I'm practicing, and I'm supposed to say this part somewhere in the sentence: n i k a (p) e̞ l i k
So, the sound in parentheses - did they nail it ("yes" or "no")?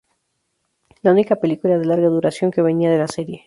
yes